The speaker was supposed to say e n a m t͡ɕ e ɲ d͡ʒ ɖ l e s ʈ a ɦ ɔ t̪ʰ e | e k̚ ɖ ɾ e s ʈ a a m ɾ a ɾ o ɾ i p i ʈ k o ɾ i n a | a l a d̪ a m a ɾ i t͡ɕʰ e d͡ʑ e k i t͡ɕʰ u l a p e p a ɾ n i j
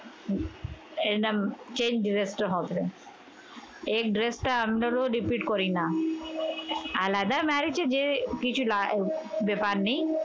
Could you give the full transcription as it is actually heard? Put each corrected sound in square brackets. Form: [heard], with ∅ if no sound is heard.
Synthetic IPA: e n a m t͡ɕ e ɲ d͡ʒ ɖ [ɾ] e s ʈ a ɦ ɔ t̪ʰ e | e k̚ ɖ ɾ e s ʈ a a m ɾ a ɾ o ɾ i p i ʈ k o ɾ i n a | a l a d̪ a m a ɾ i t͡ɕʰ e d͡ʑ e k i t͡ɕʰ u l a [b] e p a ɾ n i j